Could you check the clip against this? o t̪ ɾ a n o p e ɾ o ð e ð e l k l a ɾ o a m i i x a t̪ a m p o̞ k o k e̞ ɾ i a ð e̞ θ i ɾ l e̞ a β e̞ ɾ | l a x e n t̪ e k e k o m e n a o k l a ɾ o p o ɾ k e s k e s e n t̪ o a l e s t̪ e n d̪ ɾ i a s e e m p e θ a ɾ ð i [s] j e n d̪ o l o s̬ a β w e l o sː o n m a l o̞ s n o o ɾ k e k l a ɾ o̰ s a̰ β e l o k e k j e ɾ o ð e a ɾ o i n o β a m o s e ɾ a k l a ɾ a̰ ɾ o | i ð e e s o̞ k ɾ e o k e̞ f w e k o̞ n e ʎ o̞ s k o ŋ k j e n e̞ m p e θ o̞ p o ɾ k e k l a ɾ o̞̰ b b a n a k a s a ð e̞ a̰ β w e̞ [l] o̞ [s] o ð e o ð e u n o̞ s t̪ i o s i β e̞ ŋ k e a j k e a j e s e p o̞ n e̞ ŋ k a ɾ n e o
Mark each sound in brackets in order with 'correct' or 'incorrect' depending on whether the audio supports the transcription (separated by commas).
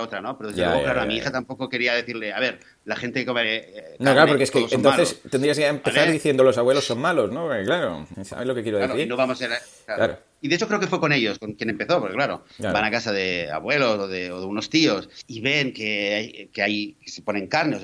incorrect, correct, correct